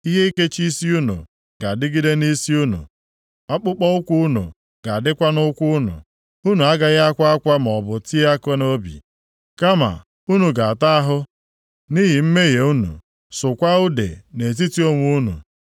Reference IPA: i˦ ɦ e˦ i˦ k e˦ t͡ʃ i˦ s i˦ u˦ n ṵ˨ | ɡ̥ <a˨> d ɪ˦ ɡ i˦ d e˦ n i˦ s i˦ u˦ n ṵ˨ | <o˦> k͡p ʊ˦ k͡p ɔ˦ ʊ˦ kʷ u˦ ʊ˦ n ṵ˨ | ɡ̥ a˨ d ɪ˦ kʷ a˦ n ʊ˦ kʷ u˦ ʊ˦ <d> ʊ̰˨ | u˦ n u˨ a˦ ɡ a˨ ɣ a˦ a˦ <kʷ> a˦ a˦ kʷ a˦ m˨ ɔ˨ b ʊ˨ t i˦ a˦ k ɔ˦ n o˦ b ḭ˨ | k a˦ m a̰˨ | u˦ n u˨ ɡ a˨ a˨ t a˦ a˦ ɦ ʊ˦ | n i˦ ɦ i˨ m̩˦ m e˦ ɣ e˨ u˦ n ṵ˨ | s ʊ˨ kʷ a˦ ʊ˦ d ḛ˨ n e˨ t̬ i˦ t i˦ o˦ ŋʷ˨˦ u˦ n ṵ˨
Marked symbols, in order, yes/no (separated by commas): yes, no, no, yes